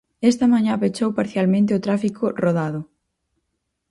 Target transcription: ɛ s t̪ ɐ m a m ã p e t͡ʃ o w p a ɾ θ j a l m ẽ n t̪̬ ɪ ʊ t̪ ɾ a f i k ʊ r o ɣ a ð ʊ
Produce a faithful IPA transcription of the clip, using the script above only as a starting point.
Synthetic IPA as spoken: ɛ s t̪ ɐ m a ɲ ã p e t͡ʃ o w p a ɾ θ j a l m ẽ n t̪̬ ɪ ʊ t̪ ɾ a f i k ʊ r o ð a ð ʊ